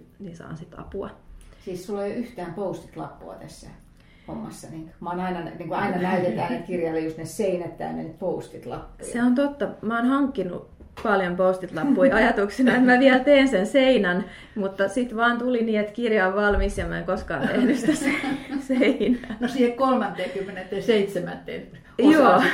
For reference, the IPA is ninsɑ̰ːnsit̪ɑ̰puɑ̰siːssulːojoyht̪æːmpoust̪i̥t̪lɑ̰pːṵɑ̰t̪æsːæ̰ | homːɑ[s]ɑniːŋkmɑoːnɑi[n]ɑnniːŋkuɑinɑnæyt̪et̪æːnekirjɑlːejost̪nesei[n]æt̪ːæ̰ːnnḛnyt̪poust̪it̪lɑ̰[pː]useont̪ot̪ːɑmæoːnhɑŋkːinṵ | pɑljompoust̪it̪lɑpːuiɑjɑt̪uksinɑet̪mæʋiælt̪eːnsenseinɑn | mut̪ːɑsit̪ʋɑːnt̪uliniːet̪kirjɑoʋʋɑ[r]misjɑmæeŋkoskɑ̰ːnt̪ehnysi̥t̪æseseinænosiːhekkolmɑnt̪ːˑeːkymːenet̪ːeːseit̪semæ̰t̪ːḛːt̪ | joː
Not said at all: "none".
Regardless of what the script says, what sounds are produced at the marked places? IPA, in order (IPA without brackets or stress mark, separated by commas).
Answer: sː, n, n, pː, l